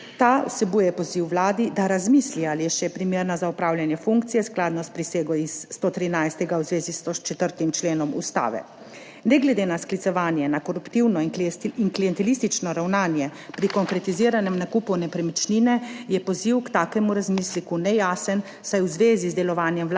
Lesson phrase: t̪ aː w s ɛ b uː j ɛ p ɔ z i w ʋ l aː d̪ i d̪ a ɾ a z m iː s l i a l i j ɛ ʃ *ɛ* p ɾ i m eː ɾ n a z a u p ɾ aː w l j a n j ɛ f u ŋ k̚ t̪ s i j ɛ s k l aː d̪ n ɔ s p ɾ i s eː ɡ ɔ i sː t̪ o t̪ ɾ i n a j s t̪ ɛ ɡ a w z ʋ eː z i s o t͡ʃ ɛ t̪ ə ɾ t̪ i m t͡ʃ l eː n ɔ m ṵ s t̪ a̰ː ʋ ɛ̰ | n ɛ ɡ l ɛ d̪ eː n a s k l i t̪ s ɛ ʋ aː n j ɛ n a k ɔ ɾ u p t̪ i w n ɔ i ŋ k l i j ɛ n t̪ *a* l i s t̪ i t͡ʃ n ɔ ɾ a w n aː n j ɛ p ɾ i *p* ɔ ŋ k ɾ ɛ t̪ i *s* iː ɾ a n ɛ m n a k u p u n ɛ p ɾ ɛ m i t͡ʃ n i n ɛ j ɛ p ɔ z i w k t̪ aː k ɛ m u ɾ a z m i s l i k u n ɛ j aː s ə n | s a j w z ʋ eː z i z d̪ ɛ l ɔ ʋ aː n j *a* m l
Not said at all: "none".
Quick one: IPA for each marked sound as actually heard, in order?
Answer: ɛ, ɛ, k, z, ɛ

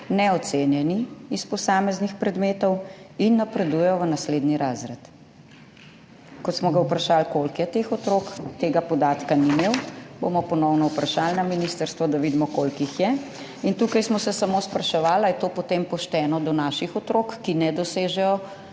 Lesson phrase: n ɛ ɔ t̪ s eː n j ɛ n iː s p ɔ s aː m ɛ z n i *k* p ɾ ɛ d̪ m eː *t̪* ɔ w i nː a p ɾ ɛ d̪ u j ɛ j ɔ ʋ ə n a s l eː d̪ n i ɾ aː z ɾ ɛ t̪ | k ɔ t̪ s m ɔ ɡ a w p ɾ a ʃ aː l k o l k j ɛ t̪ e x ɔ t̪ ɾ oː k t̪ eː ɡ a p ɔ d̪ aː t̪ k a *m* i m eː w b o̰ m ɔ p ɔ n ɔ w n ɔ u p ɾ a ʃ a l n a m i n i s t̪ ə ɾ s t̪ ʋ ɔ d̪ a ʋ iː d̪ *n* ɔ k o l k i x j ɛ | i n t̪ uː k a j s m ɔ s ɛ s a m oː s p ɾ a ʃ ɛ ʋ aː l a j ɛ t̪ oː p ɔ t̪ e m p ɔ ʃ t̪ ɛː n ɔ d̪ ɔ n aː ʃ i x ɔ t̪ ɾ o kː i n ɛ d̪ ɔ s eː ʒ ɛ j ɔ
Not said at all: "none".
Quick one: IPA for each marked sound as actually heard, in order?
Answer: x, t̪, n, m

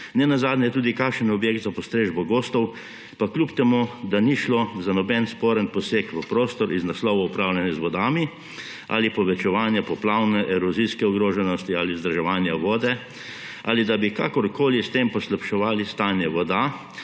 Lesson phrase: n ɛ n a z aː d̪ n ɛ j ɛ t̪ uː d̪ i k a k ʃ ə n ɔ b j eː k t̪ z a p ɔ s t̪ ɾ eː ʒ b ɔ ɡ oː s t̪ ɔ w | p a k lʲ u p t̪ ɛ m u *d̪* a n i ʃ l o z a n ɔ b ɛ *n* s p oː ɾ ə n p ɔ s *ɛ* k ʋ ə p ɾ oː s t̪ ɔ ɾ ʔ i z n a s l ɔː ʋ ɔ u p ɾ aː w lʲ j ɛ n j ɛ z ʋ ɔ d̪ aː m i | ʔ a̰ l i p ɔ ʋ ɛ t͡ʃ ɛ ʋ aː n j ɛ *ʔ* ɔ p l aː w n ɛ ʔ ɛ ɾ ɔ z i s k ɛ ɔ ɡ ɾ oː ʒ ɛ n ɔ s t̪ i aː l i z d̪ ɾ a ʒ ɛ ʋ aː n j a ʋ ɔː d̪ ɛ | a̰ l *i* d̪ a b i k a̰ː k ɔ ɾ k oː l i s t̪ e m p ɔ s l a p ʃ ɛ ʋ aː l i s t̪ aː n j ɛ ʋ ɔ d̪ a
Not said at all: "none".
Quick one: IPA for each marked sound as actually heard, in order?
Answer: d̪, n, e, p, i

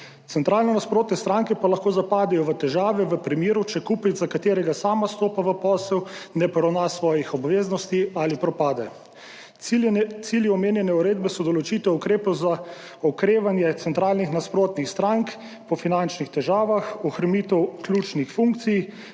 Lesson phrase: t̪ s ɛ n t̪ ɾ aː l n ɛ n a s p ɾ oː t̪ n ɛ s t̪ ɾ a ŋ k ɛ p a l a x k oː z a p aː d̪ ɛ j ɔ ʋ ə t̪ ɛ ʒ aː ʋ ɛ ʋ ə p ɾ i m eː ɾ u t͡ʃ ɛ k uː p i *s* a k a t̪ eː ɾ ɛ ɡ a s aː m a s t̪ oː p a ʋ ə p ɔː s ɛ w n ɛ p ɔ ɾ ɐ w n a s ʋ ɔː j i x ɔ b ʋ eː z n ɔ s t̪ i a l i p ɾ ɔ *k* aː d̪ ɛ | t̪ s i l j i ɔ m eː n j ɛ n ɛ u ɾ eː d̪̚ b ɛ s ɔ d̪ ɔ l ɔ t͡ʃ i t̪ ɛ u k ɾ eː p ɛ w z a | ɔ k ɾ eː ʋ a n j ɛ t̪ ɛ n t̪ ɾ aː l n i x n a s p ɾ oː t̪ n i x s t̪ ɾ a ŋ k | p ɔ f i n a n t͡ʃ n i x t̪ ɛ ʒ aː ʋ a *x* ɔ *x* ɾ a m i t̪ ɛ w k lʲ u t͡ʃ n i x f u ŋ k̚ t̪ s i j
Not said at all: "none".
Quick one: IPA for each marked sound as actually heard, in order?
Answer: z, p, x, x

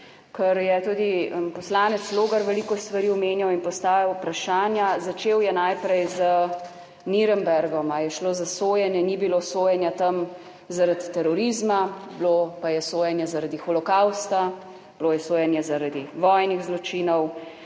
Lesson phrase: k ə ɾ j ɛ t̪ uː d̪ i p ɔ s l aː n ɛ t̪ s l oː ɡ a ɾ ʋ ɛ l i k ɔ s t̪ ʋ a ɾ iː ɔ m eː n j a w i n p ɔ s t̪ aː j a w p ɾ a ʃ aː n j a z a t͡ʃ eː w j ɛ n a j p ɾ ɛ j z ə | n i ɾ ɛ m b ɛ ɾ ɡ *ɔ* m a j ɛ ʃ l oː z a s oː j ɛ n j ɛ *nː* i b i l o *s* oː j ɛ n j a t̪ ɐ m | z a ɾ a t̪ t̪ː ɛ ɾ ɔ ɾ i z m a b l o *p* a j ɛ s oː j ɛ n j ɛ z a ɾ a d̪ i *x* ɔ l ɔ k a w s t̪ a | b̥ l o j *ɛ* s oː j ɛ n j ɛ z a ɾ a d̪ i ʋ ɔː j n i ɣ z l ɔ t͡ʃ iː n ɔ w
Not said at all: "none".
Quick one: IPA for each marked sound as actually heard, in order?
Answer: ɔ, n, s, p, x, ɛ

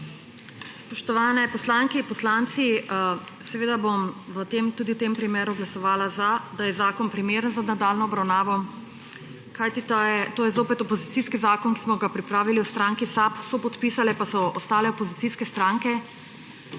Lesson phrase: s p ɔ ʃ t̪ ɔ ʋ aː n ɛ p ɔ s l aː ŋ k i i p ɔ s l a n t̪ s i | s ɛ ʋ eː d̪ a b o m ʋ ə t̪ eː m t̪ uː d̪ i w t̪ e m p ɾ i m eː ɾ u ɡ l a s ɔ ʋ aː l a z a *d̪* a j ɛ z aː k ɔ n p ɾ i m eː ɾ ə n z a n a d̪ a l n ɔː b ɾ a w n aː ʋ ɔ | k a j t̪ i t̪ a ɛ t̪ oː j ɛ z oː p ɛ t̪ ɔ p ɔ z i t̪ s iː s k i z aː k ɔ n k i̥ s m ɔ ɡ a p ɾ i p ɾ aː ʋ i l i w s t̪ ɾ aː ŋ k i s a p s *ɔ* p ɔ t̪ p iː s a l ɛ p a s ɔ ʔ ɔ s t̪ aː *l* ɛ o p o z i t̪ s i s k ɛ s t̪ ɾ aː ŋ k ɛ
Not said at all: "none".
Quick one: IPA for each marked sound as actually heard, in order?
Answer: d̪, ɔ, l

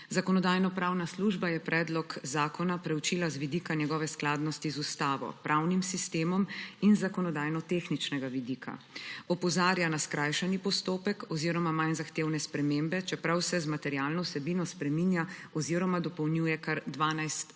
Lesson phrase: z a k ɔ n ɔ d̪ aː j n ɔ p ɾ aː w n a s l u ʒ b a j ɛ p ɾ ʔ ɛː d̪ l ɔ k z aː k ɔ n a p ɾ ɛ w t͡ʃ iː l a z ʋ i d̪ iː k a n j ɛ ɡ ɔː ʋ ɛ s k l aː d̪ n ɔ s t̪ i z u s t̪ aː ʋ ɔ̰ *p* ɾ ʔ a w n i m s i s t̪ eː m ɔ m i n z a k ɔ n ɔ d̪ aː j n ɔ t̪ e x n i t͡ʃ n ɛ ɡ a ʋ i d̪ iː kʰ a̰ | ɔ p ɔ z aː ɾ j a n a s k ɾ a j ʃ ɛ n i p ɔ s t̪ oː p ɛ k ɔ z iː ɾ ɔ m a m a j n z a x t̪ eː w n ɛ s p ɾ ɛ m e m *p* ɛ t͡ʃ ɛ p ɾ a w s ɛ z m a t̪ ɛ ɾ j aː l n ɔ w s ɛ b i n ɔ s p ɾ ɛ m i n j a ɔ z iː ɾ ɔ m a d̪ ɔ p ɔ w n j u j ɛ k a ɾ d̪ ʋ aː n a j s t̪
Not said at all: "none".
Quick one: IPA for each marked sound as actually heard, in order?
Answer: p, b

